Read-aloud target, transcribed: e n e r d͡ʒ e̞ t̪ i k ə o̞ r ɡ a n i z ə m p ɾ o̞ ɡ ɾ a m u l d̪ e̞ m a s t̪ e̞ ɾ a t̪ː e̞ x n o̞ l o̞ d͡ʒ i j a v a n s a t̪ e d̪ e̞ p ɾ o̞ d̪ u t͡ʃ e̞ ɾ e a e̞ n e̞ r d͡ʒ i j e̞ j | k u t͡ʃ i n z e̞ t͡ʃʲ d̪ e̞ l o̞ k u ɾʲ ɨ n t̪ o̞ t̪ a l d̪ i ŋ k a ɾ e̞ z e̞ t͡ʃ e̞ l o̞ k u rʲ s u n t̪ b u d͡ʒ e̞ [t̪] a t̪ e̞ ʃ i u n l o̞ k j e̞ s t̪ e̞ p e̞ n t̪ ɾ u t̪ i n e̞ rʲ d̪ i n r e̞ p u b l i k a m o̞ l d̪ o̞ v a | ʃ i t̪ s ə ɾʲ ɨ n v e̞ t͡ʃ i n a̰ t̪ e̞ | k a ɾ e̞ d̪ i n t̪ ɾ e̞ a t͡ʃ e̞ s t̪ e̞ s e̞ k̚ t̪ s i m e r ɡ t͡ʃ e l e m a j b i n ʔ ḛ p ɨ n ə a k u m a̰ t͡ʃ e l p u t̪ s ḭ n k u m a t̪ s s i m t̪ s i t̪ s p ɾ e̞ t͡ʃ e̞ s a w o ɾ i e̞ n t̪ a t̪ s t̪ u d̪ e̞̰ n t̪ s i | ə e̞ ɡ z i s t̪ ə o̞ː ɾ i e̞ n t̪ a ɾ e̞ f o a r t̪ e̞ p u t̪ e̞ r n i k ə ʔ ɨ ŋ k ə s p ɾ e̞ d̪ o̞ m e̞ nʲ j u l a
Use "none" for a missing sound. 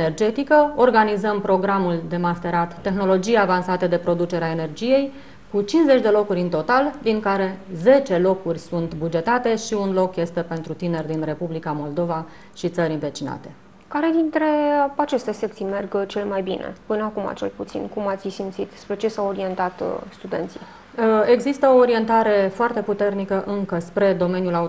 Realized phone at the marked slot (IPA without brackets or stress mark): t̪